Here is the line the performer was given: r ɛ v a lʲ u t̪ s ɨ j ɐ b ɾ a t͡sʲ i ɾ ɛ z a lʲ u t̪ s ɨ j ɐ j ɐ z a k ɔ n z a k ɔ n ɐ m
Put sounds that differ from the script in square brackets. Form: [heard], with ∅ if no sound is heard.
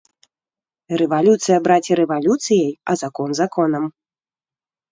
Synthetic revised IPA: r ɛ v a lʲ u t̪ s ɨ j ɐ b ɾ a t͡sʲ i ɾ ɛ [v] a lʲ u t̪ s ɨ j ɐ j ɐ z a k ɔ n z a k ɔ n ɐ m

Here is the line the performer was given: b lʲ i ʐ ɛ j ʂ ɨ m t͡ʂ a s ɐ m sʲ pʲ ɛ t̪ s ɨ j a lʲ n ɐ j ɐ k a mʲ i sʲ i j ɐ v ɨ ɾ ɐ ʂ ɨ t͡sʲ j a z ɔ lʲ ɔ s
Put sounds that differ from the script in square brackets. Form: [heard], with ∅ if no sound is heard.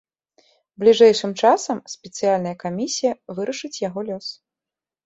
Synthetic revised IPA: b lʲ i ʐ ɛ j ʂ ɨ m t͡ʂ a s ɐ m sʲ pʲ ɛ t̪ s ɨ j a lʲ n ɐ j ɐ k a mʲ i sʲ i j ɐ v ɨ ɾ ɐ ʂ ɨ t͡sʲ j a [ɣ] ɔ lʲ ɔ s

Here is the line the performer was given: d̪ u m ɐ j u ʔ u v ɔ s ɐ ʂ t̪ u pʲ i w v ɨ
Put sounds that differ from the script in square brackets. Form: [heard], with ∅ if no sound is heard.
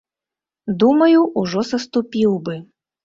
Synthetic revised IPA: d̪ u m ɐ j u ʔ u [ʐ] ɔ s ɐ [s] t̪ u pʲ i w [b] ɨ

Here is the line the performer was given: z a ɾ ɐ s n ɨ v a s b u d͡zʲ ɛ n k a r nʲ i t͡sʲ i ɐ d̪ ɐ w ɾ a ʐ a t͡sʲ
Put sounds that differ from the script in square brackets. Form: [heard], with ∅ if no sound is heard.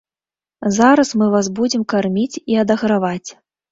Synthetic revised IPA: z a ɾ ɐ s [m] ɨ v a s b u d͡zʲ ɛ [m] k a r [mʲ] i t͡sʲ i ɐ d̪ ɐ [ɣ] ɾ a [v] a t͡sʲ

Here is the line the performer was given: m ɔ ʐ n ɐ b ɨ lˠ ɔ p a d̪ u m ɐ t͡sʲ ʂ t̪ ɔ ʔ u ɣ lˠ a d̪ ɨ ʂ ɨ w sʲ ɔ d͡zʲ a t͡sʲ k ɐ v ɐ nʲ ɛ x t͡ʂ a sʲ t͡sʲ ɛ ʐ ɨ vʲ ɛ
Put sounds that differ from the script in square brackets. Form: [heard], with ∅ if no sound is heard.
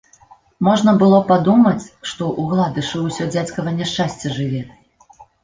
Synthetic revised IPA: m ɔ ʐ n ɐ b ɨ lˠ ɔ p a d̪ u m ɐ t͡sʲ ʂ t̪ ɔ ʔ u ɣ lˠ a d̪ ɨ ʂ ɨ w sʲ ɔ d͡zʲ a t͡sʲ k ɐ v ɐ nʲ ɛ [ʂ] t͡ʂ a sʲ t͡sʲ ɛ ʐ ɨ vʲ ɛ

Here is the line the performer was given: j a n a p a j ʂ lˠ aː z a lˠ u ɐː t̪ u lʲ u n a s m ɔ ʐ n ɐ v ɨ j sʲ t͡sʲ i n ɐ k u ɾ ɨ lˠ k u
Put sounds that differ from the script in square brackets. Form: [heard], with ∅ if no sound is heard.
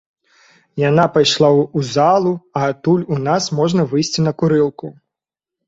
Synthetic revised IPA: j a n a p a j ʂ lˠ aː z a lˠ u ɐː t̪ u lʲ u n a s m ɔ ʐ n ɐ v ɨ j sʲ t͡sʲ i n ɐ k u ɾ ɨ lˠ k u

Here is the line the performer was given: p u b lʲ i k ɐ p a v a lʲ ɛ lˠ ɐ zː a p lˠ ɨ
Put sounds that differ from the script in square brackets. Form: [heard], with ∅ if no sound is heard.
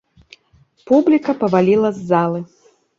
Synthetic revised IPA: p u b lʲ i k ɐ p [ɐ] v a lʲ [i] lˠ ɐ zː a [∅] lˠ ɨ

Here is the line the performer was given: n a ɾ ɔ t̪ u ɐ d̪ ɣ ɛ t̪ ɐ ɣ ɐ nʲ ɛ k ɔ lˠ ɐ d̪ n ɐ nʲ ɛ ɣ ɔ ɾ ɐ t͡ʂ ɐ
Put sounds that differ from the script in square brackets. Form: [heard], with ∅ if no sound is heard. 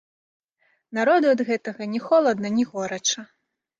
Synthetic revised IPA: n a ɾ ɔ [d̪] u ɐ d̪ ɣ ɛ t̪ ɐ ɣ ɐ nʲ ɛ [x] ɔ lˠ ɐ d̪ n ɐ nʲ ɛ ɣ ɔ ɾ ɐ t͡ʂ ɐ

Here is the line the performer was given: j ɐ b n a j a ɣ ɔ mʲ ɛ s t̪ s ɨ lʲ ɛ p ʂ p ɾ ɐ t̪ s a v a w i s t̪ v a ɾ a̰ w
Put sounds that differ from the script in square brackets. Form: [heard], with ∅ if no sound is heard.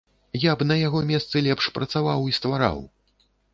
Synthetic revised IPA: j [a] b n [ɐ] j a ɣ ɔ mʲ ɛ s t̪ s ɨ lʲ ɛ p ʂ p ɾ ɐ t̪ s a v a w i s t̪ v a ɾ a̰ w

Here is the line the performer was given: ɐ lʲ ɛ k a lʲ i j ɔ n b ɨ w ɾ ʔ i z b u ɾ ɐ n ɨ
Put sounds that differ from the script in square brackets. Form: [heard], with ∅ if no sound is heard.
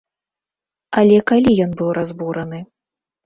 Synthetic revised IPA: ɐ lʲ ɛ k a lʲ i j ɔ n b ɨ w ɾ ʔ [a] z b u ɾ ɐ n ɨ

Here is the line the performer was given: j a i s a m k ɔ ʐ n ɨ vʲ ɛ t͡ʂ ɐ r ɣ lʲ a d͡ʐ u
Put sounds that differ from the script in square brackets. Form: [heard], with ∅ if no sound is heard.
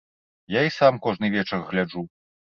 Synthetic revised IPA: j a i s a m k ɔ ʐ n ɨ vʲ ɛ t͡ʂ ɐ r ɣ lʲ a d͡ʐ u

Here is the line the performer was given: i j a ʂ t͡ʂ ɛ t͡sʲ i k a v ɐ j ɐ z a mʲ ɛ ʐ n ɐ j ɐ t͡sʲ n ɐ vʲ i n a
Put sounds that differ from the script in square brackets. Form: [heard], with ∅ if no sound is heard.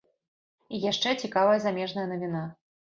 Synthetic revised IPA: i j a ʂ t͡ʂ ɛ t͡sʲ i k a v ɐ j ɐ z a mʲ ɛ ʐ n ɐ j ɐ [∅] n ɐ vʲ i n a

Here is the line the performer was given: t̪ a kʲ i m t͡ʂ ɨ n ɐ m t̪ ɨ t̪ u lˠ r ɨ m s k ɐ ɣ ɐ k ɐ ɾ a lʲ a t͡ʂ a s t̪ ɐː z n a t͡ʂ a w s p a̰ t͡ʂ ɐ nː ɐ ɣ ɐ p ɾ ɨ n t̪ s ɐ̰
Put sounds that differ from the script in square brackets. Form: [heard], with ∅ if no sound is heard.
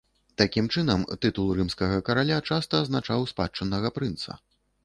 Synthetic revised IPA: t̪ a kʲ i m t͡ʂ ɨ n ɐ m t̪ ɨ t̪ u lˠ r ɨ m s k ɐ ɣ ɐ k ɐ ɾ a lʲ a t͡ʂ a s t̪ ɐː z n a t͡ʂ a w s p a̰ t͡ʂ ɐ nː ɐ ɣ ɐ p ɾ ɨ n t̪ s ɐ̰

